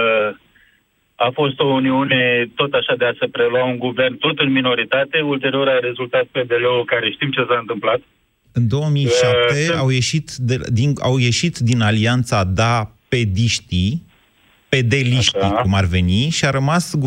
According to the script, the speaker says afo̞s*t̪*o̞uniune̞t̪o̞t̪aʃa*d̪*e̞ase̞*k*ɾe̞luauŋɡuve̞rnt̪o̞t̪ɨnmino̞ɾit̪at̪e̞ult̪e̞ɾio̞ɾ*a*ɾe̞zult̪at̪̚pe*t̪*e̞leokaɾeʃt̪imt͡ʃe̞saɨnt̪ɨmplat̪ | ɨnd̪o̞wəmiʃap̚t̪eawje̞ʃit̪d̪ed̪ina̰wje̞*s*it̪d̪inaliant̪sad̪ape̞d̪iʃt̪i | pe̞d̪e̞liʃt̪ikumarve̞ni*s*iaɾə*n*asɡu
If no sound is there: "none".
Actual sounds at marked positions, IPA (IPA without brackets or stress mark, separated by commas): t̪, d̪, p, a, d̪, ʃ, ʃ, m